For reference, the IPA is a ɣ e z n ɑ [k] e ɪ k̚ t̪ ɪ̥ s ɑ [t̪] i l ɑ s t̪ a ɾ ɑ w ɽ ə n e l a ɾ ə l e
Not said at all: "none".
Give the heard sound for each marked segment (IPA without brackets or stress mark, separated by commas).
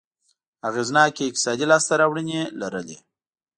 k, d̪